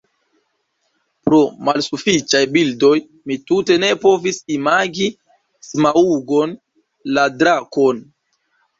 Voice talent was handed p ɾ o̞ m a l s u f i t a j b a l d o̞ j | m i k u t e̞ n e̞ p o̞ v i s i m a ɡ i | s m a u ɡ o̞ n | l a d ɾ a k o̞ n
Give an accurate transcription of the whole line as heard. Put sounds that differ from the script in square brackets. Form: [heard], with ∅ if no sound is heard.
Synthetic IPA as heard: p ɾ o̞ m a l s u f i [t͡ʃ] a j b [i] l d o̞ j | m i [t] u t e̞ n e̞ p o̞ v i s i m a ɡ i | s m a u ɡ o̞ n | l a d ɾ a k o̞ n